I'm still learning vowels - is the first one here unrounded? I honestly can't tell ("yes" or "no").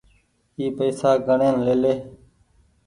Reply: yes